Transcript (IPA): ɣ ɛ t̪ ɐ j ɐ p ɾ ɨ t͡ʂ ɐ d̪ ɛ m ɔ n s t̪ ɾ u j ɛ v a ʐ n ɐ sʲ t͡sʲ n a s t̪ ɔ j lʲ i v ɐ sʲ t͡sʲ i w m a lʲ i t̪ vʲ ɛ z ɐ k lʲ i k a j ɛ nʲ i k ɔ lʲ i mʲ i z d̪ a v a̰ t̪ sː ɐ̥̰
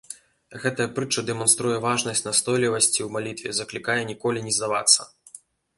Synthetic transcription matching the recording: ɣ ɛ t̪ ɐ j ɐ p ɾ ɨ t͡ʂ ɐ d̪ ɛ m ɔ n s t̪ ɾ u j ɛ v a ʐ n ɐ sʲ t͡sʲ n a s t̪ ɔ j lʲ i v ɐ sʲ t͡sʲ i w m a lʲ i t̪ vʲ ɛ z ɐ k lʲ i k a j ɛ nʲ i k ɔ lʲ i nʲ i z d̪ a v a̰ t̪ sː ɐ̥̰